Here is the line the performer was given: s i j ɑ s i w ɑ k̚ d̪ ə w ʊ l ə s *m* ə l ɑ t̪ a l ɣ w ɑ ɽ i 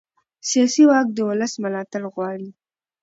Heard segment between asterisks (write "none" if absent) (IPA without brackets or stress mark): m